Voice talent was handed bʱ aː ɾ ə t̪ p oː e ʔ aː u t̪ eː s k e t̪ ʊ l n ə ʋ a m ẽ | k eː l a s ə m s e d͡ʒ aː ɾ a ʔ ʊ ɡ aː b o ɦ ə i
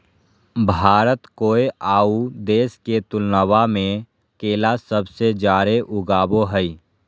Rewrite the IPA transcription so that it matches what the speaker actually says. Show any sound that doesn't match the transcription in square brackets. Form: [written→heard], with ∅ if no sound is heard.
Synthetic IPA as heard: bʱ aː ɾ ə t̪ [p→k] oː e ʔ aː u [t̪→d̪] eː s k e t̪ ʊ l n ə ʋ a m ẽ | k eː l a s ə [m→b] s e d͡ʒ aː ɾ [a→e] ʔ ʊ ɡ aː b o ɦ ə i